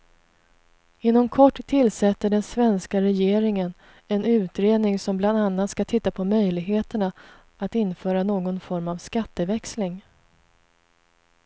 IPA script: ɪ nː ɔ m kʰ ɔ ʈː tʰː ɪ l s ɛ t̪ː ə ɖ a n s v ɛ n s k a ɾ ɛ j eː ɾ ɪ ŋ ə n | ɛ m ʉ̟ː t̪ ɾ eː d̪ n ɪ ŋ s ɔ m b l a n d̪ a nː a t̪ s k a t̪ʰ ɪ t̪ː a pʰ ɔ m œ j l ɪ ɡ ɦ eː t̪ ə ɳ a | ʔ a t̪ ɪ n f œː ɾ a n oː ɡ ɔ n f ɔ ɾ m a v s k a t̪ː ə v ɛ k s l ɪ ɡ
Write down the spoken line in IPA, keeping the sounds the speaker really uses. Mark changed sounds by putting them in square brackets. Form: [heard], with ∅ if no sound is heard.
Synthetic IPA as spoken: ɪ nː ɔ m kʰ ɔ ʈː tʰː ɪ l s ɛ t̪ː ə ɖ [ɛ] n s v ɛ n s k a ɾ ɛ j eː ɾ ɪ ŋ ə n | ɛ [n] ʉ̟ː t̪ ɾ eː d̪ n ɪ ŋ s ɔ m b l a n d̪ a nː a t̪ s k a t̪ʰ ɪ t̪ː a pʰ ɔ m œ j l ɪ ɡ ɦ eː t̪ ə ɳ a | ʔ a t̪ ɪ n f œː ɾ a n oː ɡ ɔ n f ɔ ɾ m a v s k a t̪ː ə v ɛ k s l ɪ [ŋ]